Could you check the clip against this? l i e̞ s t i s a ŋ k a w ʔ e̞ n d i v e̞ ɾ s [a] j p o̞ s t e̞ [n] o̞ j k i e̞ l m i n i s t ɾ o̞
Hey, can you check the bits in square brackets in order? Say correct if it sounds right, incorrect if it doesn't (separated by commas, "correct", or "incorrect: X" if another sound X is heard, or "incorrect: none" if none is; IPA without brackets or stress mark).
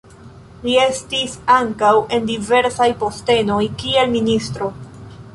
correct, correct